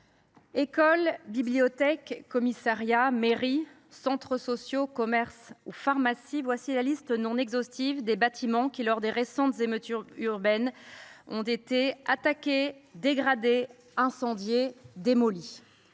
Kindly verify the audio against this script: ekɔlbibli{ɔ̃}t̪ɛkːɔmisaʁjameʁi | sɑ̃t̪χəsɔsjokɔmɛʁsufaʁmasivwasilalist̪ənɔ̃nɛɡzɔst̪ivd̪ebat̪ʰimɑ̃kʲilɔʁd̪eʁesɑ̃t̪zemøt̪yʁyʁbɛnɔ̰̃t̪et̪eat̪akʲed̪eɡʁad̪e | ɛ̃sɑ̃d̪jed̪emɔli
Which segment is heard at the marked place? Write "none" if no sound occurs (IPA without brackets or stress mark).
ɔ